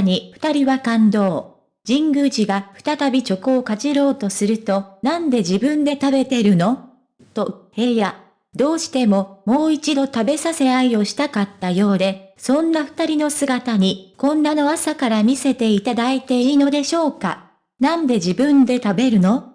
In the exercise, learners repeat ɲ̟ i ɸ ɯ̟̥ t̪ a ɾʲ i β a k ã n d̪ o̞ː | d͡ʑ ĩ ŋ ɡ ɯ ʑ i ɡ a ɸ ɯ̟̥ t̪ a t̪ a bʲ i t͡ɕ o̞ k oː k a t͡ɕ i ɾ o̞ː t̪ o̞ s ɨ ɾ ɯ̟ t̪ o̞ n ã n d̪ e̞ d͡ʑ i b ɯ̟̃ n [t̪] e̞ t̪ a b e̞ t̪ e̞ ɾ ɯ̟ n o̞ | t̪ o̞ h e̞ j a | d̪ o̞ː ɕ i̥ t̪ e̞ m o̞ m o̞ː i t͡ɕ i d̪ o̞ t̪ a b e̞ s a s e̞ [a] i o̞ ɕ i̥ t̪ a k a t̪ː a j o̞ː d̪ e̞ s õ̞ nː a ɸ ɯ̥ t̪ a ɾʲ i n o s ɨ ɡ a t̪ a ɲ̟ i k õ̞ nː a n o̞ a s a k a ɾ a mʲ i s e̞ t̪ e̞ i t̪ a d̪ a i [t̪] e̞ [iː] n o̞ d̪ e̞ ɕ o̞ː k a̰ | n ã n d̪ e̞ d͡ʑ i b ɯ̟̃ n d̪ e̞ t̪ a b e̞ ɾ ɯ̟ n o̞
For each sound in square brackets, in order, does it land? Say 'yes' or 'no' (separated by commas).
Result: no, yes, yes, yes